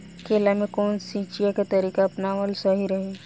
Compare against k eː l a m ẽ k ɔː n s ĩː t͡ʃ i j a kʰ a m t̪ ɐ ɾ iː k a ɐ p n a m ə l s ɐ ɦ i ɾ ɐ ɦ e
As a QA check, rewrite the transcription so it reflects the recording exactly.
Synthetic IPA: k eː l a m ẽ k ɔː n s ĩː t͡ʃ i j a k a t̪ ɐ ɾ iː k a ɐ p n a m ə l s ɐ ɦ i ɾ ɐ ɦ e